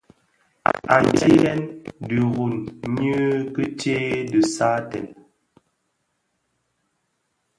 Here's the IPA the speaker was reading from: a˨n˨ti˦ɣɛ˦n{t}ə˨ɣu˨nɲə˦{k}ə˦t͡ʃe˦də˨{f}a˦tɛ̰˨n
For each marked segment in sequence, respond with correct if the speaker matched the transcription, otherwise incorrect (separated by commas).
incorrect, correct, incorrect